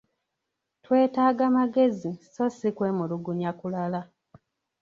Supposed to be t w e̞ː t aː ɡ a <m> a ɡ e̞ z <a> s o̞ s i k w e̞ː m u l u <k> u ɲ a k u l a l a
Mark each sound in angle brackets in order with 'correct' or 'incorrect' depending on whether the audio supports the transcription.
correct, incorrect: i, incorrect: ɡ

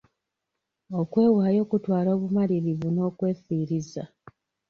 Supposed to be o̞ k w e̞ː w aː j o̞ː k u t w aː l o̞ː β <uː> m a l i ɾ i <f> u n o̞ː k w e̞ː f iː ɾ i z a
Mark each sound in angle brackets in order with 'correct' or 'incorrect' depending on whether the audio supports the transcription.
incorrect: u, incorrect: v

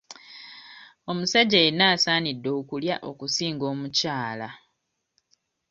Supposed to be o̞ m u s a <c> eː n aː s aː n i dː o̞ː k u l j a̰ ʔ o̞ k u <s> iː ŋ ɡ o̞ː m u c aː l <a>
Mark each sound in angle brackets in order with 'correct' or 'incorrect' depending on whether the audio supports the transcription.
incorrect: ɟ, correct, correct

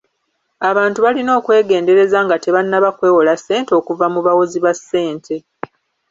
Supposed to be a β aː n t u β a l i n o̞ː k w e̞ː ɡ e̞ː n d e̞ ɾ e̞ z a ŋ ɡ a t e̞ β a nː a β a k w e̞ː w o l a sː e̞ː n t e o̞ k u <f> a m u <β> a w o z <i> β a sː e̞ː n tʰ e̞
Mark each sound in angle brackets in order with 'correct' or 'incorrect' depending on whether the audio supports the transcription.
incorrect: v, correct, correct

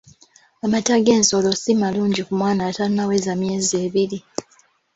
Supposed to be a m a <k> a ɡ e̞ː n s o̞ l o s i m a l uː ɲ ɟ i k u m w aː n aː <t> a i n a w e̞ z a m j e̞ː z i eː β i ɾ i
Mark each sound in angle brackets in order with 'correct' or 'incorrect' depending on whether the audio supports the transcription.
incorrect: t, correct

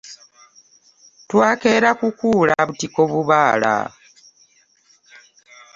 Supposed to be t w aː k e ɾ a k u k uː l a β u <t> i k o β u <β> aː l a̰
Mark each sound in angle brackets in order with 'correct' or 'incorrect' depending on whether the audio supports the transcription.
correct, correct

